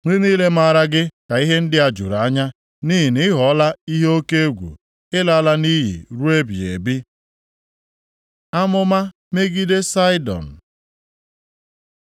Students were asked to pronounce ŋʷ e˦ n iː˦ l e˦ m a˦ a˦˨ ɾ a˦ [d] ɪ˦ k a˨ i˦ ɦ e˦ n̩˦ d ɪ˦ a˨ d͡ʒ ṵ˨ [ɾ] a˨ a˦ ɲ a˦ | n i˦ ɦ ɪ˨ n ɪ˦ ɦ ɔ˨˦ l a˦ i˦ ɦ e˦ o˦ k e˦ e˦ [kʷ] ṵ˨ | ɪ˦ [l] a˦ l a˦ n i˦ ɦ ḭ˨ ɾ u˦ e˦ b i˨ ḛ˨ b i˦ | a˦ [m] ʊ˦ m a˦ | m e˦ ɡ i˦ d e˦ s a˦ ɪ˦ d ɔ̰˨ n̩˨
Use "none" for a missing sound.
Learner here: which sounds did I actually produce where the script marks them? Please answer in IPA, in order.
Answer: ɡ, ɾ, ɡʷ, l, m

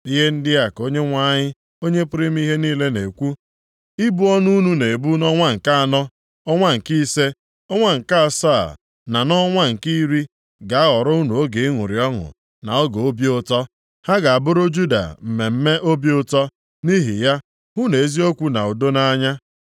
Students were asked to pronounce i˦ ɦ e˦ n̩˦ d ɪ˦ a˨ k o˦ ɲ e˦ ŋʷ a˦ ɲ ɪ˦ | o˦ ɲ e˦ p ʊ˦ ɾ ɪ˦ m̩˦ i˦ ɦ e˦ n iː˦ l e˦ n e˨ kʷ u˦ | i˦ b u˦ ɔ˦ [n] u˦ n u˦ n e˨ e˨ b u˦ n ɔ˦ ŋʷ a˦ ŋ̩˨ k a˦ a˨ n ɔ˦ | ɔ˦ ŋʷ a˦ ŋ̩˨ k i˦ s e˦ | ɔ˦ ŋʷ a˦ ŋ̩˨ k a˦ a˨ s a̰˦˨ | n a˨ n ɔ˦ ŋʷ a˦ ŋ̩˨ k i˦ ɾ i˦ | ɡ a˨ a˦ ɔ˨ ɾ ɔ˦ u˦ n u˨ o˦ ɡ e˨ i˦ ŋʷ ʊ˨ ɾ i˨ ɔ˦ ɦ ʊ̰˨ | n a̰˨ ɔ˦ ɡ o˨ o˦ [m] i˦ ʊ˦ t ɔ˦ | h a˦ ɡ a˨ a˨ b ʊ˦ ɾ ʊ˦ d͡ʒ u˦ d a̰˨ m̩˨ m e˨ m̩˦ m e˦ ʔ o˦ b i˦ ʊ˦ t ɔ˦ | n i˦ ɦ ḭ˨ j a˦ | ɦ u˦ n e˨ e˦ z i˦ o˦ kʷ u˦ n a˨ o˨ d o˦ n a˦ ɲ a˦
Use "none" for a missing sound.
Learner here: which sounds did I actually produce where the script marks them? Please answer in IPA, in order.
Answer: n, b

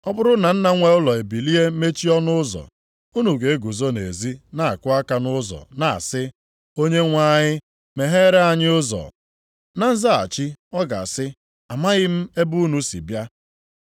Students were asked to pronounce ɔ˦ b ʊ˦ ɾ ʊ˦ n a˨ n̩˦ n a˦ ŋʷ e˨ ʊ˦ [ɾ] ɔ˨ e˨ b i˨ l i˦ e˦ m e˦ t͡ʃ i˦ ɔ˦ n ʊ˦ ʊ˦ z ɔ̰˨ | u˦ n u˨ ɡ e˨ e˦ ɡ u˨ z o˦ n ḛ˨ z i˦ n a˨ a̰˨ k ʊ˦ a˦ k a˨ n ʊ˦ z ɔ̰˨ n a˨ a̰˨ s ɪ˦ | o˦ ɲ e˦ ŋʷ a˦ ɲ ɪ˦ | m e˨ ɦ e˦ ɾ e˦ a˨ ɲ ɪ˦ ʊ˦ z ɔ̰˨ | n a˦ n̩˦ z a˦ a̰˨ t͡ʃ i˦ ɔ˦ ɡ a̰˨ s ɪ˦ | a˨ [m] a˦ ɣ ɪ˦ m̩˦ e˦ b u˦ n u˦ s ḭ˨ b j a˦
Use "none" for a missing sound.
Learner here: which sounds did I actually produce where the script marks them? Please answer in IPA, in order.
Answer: l, m

